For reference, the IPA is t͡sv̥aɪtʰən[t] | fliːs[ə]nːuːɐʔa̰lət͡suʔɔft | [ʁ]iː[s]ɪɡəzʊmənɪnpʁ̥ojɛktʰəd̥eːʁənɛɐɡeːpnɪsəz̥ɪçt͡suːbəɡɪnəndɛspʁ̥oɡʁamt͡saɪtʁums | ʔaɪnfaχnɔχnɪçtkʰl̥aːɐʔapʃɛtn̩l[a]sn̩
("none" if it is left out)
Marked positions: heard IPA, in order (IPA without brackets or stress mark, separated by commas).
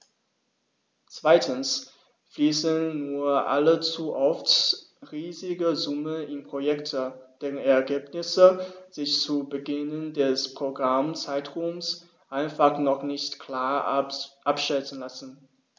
s, ə, ʁ, z, a